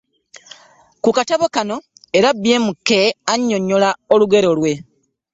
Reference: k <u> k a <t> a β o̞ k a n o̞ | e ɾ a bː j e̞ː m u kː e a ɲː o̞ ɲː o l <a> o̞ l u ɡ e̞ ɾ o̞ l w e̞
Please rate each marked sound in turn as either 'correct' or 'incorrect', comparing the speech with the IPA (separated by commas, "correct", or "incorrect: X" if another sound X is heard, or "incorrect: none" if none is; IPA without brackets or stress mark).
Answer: correct, correct, correct